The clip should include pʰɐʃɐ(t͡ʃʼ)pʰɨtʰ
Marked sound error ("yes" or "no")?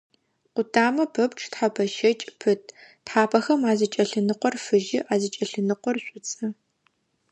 no